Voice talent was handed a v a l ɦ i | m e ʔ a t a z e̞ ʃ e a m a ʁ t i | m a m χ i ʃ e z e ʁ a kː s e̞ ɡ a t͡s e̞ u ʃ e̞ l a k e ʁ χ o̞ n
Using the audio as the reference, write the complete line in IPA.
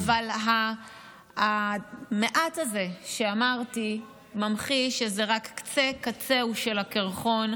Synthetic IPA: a v a l ɦ a | m e ʔ a t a z e̞ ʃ e a m a ʁ t i | m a m χ i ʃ e z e ʁ a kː t͡s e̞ k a t͡s e̞ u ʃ e̞ l a k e ʁ χ o̞ n